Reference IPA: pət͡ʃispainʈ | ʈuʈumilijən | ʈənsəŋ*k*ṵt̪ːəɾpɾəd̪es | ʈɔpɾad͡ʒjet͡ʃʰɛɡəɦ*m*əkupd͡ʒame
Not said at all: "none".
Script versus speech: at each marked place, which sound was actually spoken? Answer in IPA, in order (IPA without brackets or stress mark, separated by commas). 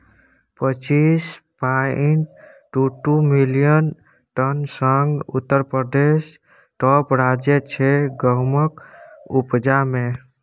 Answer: ɡ, m